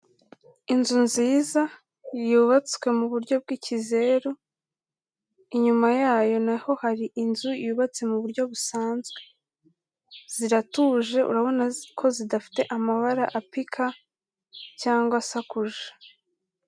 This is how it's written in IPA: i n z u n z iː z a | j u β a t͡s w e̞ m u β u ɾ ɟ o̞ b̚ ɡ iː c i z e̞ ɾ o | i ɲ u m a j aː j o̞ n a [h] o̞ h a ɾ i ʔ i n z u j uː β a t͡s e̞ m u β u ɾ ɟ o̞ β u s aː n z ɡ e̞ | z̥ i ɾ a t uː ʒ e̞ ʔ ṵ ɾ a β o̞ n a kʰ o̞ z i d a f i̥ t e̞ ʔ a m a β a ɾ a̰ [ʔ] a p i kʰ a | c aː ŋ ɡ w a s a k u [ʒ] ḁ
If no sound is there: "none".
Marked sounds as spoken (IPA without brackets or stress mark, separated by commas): h, ʔ, ʒ